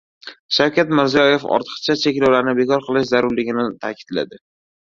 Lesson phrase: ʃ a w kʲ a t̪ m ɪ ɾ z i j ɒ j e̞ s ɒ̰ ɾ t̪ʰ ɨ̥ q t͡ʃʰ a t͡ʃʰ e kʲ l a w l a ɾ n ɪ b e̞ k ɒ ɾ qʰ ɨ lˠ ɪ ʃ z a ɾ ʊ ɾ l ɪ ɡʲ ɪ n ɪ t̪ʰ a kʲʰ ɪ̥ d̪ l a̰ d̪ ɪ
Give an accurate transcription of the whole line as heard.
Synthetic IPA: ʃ a w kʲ a t̪ m ɪ ɾ z i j ɒ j e̞ f ɒ̰ ɾ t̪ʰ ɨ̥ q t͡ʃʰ a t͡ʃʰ e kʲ l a w l a ɾ n ɪ b e̞ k ɒ ɾ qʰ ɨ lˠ ɪ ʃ z a ɾ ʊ ɾ l ɪ ɡʲ ɪ n ɪ t̪ʰ a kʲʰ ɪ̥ d̪ l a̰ d̪ ɪ